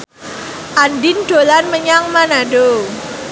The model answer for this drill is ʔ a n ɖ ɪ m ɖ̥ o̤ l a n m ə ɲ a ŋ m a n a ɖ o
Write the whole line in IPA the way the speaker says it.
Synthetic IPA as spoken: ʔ a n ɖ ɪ n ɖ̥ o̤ l a n m ə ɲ a ŋ m a n a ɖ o